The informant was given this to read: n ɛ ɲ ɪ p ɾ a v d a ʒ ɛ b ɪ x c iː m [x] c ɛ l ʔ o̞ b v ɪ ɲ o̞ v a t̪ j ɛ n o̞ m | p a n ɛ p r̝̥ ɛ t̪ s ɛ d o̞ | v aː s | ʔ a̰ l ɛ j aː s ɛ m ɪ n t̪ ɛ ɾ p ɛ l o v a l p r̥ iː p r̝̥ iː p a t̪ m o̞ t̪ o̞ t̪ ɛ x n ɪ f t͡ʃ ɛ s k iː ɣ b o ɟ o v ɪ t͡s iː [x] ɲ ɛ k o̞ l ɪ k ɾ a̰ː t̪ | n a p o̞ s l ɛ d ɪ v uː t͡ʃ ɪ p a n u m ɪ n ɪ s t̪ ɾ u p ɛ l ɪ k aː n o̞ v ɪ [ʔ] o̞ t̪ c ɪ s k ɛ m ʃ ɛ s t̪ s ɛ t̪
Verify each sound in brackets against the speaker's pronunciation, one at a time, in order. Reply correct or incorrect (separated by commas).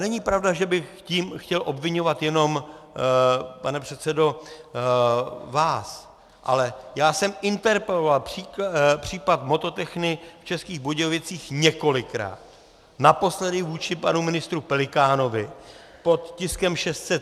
correct, correct, incorrect